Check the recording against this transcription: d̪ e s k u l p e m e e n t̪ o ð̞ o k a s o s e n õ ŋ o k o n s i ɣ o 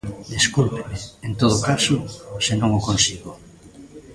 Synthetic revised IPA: d̪ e s k u l p e m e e n t̪ o ð̞ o k a s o s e n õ ŋ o k o n s i ɣ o